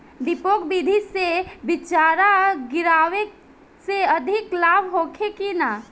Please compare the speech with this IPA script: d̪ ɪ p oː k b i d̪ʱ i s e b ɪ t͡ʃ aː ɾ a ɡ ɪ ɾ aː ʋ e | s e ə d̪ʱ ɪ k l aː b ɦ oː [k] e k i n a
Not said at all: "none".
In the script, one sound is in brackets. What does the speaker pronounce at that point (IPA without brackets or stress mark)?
kʰ